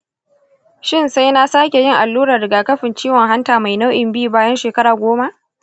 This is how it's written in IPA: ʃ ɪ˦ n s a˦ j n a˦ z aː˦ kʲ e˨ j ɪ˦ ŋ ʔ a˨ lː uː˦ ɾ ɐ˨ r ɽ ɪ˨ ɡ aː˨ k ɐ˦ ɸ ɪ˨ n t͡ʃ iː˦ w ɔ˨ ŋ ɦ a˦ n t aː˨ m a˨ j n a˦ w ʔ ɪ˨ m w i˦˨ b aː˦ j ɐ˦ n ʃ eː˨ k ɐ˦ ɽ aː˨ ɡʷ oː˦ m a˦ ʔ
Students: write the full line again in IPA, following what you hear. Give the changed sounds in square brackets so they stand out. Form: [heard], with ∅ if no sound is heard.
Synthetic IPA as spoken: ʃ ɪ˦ n s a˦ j n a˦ [s] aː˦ kʲ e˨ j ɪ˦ ŋ ʔ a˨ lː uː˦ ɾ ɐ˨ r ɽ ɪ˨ ɡ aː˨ k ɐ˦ ɸ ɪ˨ n t͡ʃ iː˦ w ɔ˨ ŋ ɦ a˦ n t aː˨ m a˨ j n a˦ w ʔ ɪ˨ m [b] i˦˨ b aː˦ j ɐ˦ n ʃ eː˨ k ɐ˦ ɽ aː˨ ɡʷ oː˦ m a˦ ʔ